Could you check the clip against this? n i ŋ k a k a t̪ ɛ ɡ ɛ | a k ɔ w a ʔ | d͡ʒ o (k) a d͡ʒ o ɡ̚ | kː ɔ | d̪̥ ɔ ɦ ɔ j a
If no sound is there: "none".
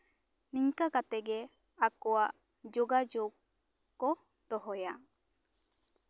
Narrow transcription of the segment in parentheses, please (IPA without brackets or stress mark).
ɡ